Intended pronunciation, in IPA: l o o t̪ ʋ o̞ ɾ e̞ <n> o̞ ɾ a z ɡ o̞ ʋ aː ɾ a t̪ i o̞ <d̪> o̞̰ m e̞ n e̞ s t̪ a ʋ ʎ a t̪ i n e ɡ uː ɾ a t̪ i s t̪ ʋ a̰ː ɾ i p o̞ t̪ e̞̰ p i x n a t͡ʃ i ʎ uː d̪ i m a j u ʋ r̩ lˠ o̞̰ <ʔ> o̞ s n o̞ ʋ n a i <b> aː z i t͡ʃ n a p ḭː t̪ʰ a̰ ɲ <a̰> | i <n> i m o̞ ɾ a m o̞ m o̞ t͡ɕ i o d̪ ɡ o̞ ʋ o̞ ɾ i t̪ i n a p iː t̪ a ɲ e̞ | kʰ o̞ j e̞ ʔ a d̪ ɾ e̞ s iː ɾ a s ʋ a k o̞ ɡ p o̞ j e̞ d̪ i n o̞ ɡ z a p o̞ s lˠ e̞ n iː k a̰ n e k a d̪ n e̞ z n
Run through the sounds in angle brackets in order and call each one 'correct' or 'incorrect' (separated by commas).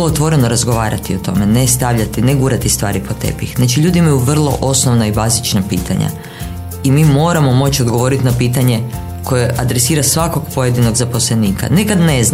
correct, incorrect, correct, correct, correct, incorrect